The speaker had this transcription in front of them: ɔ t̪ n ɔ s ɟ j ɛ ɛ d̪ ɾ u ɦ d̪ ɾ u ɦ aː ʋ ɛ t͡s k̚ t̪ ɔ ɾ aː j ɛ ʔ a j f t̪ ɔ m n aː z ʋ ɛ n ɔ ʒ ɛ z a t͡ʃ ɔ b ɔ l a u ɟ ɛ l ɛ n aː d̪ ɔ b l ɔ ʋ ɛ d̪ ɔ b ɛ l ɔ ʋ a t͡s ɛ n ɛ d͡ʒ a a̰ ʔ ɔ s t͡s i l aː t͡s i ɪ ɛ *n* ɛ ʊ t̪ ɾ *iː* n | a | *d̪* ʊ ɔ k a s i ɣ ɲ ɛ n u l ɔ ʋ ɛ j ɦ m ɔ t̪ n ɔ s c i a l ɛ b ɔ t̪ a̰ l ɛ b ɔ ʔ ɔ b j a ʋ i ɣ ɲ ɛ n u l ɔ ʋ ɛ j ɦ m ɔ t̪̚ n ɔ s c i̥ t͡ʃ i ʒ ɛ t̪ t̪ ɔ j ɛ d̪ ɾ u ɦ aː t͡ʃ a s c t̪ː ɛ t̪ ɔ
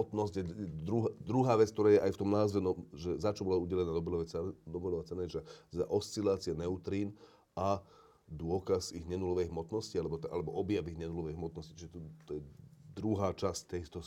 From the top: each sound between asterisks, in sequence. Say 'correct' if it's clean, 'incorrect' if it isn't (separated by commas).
correct, correct, correct